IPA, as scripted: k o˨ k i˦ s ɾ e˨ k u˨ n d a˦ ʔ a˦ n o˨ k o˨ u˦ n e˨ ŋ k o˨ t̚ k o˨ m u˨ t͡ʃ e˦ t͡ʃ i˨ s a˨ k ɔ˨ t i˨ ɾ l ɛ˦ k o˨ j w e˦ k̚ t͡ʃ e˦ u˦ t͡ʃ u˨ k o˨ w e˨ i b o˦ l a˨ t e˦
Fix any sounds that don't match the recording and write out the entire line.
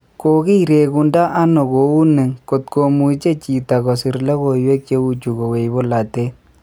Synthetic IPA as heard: k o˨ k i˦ ɾ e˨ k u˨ n d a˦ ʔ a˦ n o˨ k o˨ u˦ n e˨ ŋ k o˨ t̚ k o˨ m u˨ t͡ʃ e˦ t͡ʃ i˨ t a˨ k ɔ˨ s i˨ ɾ l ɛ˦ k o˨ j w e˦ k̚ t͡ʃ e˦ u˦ t͡ʃ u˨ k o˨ w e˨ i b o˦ l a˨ t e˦